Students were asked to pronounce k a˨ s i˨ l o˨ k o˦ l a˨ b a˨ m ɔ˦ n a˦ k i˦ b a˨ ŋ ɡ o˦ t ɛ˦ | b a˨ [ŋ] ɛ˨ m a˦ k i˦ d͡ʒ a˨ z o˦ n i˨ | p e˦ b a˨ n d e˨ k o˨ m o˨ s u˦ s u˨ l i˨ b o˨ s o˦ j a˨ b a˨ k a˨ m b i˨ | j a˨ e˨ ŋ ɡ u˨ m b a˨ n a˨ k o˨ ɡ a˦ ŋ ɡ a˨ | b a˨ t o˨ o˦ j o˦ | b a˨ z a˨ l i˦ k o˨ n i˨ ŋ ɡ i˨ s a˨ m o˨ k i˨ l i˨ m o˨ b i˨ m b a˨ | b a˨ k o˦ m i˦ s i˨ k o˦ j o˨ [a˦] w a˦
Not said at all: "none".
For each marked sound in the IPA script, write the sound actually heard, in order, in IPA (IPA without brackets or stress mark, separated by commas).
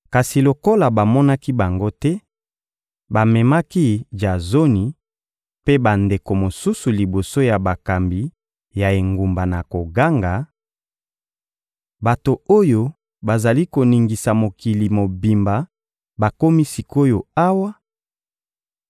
m, a˦